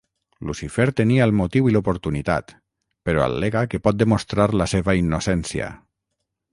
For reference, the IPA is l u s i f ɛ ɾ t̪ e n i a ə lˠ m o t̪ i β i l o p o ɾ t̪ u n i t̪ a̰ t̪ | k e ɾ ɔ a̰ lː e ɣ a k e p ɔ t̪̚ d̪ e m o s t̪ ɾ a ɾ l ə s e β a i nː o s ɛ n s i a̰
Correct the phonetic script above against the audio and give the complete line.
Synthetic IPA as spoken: l u s i f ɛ ɾ t̪ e n i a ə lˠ m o t̪ i w i l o p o ɾ t̪ u n i t̪ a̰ t̪ | p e ɾ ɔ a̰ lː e ɣ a k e p ɔ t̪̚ d̪ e m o s t̪ ɾ a ɾ l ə s e β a i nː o s ɛ n s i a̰